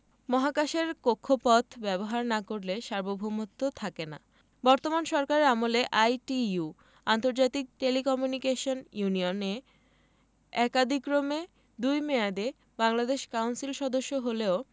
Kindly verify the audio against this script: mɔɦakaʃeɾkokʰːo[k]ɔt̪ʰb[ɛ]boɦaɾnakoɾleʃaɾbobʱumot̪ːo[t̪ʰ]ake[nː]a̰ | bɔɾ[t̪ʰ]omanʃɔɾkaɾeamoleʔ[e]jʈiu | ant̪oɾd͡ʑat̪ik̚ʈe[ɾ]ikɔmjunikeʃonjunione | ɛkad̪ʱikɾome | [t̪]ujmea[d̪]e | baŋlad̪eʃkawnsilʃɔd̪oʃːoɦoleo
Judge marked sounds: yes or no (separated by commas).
no, yes, yes, no, no, no, no, no, yes